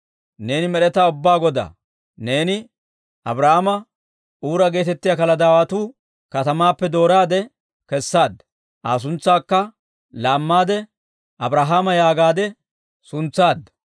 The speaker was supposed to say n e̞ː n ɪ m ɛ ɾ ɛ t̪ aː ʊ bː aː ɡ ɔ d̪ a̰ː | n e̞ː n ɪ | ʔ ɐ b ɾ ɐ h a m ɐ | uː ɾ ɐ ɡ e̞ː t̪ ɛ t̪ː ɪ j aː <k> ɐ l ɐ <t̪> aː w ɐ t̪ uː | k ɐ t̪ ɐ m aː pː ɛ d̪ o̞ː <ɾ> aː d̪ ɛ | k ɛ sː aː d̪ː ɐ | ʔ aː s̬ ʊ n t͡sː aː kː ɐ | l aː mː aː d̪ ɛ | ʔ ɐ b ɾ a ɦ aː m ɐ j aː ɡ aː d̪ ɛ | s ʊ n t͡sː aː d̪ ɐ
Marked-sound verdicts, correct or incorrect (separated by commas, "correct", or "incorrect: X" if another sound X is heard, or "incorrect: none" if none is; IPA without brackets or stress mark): correct, incorrect: d̪, correct